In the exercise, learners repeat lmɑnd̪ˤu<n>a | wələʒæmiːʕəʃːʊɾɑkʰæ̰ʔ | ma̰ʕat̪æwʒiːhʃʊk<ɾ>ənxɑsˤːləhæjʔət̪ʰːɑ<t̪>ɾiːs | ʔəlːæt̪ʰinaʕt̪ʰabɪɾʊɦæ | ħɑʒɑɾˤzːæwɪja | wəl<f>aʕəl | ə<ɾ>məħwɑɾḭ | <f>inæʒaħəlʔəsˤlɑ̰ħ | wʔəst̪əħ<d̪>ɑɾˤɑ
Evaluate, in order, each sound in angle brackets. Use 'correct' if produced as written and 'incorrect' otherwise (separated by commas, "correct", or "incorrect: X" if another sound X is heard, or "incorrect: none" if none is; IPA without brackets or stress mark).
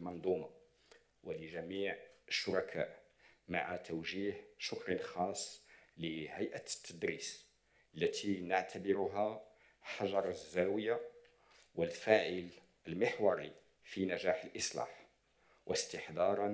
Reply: incorrect: m, correct, incorrect: d̪, correct, incorrect: l, correct, correct